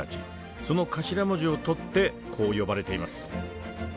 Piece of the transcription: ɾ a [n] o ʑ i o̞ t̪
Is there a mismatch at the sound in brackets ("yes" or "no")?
yes